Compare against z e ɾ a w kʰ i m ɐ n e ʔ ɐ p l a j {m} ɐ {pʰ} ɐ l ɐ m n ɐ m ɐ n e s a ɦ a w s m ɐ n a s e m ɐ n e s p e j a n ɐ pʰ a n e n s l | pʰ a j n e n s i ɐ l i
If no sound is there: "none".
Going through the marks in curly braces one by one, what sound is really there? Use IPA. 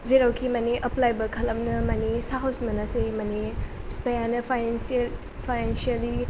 b, kʰ

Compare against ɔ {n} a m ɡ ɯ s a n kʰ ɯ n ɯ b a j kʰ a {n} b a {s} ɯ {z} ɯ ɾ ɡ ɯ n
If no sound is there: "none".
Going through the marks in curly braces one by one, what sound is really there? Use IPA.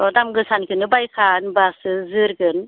d, n, s, z

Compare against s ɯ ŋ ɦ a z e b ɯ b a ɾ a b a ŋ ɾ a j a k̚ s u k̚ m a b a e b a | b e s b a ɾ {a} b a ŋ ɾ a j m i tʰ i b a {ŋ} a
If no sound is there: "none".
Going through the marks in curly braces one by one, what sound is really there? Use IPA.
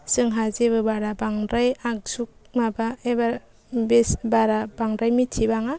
a, ŋ

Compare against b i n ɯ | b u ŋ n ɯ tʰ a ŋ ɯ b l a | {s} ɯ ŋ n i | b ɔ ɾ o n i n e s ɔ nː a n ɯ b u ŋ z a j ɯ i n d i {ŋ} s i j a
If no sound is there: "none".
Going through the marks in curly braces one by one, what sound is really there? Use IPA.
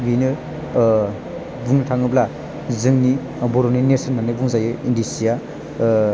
z, none

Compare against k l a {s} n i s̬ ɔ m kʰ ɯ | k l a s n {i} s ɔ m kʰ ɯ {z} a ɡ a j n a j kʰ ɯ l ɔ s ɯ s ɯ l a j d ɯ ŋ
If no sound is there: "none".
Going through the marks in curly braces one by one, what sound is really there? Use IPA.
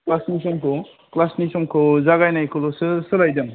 s, i, z

